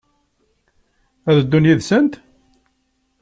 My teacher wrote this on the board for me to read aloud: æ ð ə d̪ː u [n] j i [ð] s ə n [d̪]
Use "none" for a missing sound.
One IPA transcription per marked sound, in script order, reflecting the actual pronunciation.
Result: n, ð, t̪

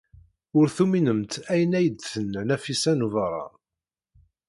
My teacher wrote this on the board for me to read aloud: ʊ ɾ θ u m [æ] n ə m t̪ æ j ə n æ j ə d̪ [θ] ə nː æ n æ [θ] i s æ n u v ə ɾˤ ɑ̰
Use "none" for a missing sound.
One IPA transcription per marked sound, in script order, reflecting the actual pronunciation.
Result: i, θ, f

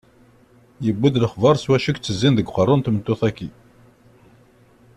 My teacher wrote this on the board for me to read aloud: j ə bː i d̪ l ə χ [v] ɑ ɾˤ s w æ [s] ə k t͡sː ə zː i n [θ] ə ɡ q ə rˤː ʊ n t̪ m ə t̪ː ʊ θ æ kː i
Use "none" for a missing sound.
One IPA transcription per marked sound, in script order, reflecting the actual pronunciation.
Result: v, ʃ, ð

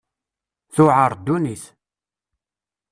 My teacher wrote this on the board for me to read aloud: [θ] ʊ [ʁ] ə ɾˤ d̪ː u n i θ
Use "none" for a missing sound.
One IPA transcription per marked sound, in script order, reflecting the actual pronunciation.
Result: θ, ʕ

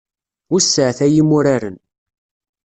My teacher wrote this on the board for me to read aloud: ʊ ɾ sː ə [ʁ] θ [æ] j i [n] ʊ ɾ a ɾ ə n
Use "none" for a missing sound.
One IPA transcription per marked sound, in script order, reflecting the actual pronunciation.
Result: ʕ, æ, m

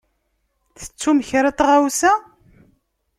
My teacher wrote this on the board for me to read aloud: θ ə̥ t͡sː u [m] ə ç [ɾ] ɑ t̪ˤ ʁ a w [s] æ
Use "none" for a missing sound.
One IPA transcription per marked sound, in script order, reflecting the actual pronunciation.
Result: m, ɾ, s

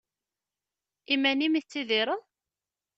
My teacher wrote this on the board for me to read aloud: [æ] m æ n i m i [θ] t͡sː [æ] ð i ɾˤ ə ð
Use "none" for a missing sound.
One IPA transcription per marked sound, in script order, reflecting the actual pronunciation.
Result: i, θ, i

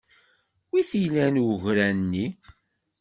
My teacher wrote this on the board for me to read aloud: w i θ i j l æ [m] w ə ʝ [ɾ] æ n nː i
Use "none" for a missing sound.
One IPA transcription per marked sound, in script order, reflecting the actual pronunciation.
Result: n, ɾ

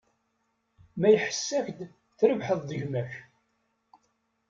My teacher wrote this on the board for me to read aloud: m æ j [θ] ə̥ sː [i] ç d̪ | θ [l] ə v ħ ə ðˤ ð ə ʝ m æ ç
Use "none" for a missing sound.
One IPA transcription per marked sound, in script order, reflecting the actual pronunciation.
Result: ħ, æ, ɾ

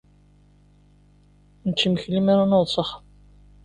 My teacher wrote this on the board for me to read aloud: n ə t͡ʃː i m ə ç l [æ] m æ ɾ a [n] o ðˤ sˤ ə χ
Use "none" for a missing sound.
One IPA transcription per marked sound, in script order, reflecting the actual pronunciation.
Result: i, n

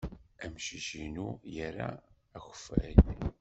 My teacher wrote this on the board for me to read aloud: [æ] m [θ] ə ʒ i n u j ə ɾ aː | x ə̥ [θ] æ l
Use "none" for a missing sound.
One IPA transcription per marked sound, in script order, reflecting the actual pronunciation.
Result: æ, ʃ, f

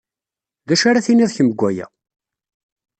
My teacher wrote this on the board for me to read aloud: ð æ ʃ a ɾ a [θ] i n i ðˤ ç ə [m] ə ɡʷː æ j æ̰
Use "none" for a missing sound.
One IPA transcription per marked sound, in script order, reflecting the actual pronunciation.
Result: θ, m

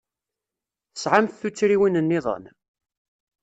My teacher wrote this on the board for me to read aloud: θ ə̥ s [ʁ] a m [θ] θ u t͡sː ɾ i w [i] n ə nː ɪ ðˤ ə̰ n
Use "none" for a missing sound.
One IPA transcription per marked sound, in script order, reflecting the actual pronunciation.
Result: ʕ, θ, i

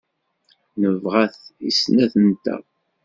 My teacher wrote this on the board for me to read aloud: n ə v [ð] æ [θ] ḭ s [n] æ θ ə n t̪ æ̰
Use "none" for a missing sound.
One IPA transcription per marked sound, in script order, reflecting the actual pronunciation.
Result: ʁ, θ, n

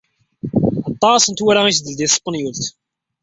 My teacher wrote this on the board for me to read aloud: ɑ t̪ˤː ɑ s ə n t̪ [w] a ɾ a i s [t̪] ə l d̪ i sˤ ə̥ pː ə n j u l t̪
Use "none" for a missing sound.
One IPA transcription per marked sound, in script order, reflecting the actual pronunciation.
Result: w, d̪

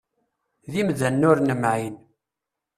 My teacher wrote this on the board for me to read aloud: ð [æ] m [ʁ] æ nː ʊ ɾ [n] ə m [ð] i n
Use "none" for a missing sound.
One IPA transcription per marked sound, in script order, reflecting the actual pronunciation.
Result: i, ð, n, ʕ

